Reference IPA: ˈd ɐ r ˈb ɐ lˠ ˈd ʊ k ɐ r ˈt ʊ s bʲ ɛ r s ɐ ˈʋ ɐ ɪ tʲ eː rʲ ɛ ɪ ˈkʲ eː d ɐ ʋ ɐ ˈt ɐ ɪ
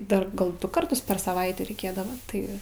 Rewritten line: ˈd ɐ r ˈɡ ɐ lˠ ˈd ʊ k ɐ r ˈt ʊ s pʲ ɛ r s ɐ ˈʋ ɐ ɪ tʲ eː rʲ ɛ ɪ ˈkʲ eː d ɐ ʋ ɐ ˈt ɐ ɪ